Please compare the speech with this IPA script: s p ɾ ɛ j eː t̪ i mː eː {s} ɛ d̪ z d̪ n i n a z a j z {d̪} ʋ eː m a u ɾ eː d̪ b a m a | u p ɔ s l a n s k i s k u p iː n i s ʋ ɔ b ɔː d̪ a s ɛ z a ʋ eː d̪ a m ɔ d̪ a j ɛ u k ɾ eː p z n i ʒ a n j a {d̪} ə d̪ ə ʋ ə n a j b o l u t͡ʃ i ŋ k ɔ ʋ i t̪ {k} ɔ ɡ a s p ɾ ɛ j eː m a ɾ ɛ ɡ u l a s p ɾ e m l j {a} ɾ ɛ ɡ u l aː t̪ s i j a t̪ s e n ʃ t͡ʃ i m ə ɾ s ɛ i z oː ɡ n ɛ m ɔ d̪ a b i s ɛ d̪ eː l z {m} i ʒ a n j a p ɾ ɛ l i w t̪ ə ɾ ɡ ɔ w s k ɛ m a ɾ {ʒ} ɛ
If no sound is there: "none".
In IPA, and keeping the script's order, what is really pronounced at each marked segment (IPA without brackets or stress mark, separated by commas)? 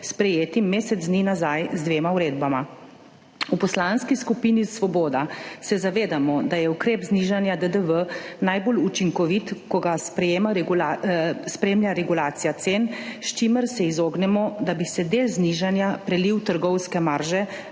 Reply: s, d̪, d̪, k, a, n, ʒ